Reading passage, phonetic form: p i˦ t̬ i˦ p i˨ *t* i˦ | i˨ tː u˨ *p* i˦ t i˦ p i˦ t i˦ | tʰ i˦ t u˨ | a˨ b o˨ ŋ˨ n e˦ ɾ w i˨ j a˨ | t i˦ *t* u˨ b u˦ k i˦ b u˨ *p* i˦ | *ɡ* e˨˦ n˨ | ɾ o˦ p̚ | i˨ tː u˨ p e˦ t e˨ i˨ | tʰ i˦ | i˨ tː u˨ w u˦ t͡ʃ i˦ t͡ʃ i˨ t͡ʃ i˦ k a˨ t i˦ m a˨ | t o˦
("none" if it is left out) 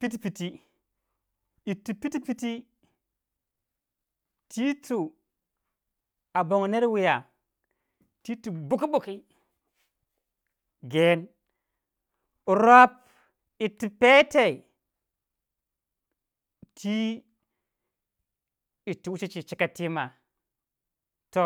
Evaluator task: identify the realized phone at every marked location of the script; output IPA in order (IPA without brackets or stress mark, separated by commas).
t, p, t, k, ɡ